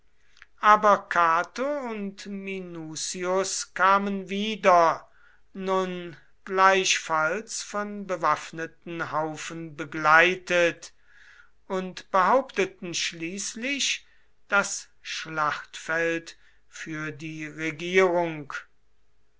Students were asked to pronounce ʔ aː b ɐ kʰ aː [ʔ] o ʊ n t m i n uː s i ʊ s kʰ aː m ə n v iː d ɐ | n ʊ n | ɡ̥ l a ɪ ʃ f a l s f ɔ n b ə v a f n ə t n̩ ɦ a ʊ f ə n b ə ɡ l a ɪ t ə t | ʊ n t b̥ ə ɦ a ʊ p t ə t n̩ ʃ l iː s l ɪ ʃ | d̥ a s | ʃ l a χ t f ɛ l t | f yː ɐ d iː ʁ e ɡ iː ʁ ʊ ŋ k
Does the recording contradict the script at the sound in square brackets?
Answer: yes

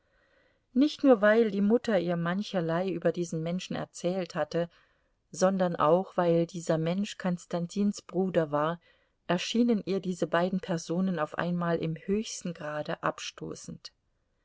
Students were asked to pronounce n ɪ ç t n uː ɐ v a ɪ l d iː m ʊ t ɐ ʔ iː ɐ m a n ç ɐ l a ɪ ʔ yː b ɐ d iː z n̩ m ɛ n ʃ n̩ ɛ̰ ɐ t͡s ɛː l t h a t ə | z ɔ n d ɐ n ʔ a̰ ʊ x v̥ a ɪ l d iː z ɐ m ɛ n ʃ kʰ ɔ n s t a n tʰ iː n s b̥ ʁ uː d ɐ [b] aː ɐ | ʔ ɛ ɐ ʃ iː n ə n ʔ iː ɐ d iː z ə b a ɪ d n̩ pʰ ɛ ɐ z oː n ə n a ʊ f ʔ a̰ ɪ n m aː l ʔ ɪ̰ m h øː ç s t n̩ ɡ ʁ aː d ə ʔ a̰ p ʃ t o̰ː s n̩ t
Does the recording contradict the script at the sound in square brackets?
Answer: yes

